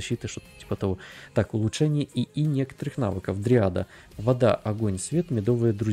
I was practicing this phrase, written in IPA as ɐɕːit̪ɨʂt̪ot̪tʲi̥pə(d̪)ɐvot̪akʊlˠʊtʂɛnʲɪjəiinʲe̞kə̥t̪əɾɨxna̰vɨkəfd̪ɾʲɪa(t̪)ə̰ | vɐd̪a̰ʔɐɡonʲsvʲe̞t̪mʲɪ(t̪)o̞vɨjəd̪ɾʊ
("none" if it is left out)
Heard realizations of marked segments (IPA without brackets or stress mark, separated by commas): t̪, d̪, d̪